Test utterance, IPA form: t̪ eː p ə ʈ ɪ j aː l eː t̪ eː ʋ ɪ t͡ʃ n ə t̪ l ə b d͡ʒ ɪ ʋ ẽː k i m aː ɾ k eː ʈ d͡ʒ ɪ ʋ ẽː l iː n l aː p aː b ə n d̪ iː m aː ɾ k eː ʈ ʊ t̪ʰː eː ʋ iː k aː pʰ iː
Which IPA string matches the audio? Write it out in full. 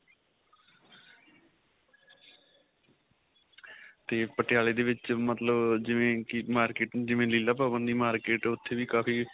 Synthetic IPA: t̪ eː p ə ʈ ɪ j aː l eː d̪ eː ʋ ɪ t͡ʃ m ə t̪ l ə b d͡ʒ ɪ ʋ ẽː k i m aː ɾ k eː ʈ d͡ʒ ɪ ʋ ẽː l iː l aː p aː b ə n d̪ iː m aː ɾ k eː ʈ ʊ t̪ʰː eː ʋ iː k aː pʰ iː